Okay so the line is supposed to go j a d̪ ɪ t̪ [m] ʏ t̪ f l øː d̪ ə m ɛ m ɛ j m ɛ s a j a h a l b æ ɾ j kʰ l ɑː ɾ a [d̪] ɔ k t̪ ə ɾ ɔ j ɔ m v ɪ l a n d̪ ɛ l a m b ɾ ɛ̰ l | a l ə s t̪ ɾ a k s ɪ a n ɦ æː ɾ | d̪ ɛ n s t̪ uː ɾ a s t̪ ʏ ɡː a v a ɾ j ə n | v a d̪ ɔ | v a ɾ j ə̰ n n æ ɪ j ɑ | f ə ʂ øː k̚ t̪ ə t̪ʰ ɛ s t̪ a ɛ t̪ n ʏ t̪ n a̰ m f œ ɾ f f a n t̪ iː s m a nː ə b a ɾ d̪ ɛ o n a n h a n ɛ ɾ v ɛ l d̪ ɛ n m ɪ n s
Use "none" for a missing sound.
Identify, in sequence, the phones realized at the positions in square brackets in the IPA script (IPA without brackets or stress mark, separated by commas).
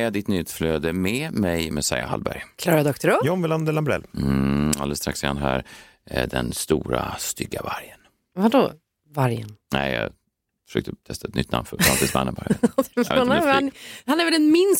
n, d̪